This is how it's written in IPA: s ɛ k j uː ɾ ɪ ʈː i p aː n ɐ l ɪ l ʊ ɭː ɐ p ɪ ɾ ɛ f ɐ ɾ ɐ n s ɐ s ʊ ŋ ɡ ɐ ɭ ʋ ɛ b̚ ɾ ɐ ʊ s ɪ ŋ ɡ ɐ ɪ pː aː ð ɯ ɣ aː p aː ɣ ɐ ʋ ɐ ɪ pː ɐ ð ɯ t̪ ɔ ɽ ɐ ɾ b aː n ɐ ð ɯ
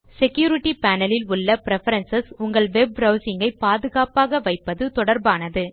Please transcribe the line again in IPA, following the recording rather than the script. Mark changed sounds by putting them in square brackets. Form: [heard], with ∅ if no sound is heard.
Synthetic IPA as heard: s ɛ k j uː ɾ ɪ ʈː i p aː n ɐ l ɪ l ʊ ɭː ɐ p ɪ ɾ ɛ f ɐ ɾ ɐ n s ɐ s ʊ ŋ ɡ ɐ ɭ ʋ ɛ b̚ ɾ ɐ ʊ s ɪ ŋ ɡ ɐ ɪ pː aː ð ɯ ɣ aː p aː ɣ ɐ ʋ ɐ ɪ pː ɐ ð ɯ t̪ ɔ ɽ ɐ ɾ b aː n ɐ ð ɯ